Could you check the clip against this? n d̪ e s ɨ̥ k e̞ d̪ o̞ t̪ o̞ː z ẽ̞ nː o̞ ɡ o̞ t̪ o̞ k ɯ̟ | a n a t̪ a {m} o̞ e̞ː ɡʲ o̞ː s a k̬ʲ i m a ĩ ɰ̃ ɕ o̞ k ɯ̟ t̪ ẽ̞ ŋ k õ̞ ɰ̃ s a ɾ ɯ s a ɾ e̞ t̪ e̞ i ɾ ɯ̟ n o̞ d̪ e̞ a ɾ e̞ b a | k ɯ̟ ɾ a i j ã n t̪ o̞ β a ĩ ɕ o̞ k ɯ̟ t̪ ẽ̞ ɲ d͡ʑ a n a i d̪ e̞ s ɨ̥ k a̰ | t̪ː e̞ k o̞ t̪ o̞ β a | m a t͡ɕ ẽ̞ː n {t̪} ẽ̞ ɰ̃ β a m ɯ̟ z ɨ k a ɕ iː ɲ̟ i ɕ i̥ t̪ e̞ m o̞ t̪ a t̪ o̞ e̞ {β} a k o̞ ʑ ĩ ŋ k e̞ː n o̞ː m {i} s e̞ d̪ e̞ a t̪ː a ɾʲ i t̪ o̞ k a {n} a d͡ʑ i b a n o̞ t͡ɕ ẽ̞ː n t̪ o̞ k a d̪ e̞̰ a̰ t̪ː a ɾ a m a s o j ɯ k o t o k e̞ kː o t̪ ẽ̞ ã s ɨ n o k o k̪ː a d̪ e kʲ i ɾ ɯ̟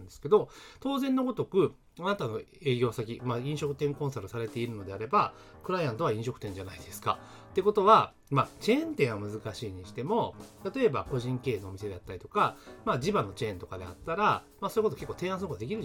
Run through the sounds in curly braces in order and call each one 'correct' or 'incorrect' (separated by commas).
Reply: incorrect, correct, incorrect, correct, incorrect